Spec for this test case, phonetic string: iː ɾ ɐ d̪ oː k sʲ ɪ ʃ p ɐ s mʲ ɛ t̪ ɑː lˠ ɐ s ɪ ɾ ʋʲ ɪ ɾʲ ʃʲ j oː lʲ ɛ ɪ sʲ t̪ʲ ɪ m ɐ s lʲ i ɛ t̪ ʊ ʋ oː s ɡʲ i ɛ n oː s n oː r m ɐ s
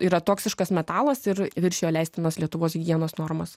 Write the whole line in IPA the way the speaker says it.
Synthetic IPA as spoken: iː ɾ ɐ t̪ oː k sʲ ɪ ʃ k ɐ s mʲ ɛ t̪ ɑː lˠ ɐ s ɪ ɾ ʋʲ ɪ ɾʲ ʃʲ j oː lʲ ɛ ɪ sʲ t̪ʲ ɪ n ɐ s lʲ i ɛ t̪ ʊ ʋ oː s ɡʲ i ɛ n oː s n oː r m ɐ s